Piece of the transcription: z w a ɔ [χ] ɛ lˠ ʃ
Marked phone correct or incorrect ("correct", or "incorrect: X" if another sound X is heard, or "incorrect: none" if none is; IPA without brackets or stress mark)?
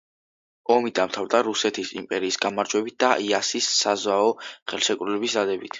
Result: correct